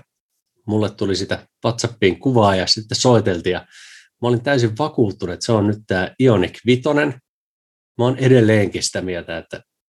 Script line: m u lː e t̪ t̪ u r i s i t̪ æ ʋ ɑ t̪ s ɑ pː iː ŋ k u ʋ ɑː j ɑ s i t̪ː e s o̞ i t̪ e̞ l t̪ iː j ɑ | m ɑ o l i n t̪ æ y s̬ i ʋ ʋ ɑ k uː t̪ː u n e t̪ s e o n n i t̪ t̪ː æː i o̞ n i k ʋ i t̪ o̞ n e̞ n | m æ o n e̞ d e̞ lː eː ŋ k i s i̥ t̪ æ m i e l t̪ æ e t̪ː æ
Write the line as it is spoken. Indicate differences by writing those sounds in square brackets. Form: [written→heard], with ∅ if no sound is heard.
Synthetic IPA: m u lː e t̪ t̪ u [r→l] i s i t̪ æ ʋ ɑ t̪ s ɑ pː iː ŋ k u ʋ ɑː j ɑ s i t̪ː e s o̞ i t̪ e̞ l t̪ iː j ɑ | m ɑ o l i n t̪ æ y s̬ i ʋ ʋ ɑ k uː t̪ː u n e t̪ s e o n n [i→y] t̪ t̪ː æː i o̞ n i k ʋ i t̪ o̞ n e̞ n | m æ o n e̞ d e̞ lː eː ŋ k i s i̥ t̪ æ m i e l t̪ æ e t̪ː æ